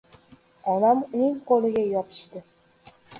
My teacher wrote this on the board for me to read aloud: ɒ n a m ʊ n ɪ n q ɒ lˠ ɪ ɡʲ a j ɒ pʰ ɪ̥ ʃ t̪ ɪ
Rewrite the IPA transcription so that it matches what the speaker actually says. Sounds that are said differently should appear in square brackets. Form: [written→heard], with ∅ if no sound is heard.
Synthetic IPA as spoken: ɒ n a m ʊ n ɪ [n→ŋ] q [ɒ→o] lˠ ɪ ɡʲ a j ɒ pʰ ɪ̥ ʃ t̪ ɪ

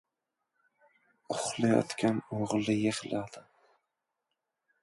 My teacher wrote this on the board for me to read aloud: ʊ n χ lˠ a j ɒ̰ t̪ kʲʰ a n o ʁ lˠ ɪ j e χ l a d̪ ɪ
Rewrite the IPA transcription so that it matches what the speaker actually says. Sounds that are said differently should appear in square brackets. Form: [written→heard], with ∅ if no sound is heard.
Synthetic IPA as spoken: ʊ [n→∅] χ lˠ a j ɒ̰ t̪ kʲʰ a n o ʁ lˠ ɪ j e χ l a d̪ ɪ

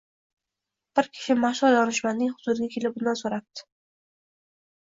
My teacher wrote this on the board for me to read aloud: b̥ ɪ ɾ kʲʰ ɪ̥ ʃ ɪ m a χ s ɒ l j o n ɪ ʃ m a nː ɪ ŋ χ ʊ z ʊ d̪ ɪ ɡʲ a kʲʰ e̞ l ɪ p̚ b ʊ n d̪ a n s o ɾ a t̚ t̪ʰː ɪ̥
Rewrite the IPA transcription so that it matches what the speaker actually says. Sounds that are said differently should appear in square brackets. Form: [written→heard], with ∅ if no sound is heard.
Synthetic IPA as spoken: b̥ ɪ ɾ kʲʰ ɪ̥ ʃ ɪ m a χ [s→ʃ] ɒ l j [o→ɒ] n ɪ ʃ m a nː ɪ ŋ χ ʊ z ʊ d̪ ɪ ɡʲ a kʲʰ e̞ l ɪ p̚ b ʊ n d̪ a n s o ɾ a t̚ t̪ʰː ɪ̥

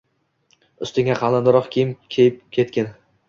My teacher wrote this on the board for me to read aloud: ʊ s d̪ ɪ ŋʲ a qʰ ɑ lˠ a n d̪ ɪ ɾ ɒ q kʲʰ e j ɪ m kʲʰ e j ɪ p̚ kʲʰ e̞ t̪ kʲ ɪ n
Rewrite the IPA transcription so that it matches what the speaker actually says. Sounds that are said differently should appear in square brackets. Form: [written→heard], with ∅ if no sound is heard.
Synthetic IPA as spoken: ʊ s [d̪→t̪] ɪ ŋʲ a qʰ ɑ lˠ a n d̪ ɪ ɾ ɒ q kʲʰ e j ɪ m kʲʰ e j ɪ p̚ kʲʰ e̞ t̪ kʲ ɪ n

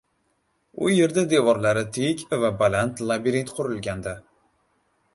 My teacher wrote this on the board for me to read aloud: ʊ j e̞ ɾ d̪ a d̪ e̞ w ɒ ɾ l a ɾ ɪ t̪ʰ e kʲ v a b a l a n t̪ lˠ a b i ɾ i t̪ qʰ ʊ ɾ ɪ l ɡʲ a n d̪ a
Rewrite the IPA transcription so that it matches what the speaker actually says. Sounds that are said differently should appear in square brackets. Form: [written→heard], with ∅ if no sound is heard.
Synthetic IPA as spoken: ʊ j e̞ ɾ d̪ a d̪ e̞ [w→v] ɒ ɾ l a ɾ ɪ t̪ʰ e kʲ v a b a l a n t̪ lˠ a b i ɾ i t̪ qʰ ʊ ɾ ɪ l ɡʲ a n d̪ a

